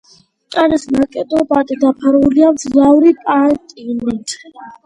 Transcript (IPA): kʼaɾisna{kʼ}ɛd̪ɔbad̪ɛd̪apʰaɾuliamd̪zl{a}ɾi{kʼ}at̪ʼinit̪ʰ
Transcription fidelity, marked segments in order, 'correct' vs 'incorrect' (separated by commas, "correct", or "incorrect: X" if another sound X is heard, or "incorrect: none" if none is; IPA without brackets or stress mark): correct, correct, incorrect: pʼ